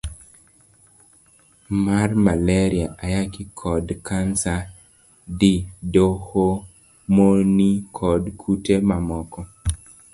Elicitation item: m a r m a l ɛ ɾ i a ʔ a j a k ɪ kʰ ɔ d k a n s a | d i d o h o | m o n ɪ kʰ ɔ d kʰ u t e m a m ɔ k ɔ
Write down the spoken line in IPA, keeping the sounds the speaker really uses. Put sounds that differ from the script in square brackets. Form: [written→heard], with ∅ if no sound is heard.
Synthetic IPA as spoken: m a r m a l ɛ ɾ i a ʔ a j a k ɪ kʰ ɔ d k a n s a | d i d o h o | m o n [ɪ→i] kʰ ɔ d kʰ u t e m a m ɔ k ɔ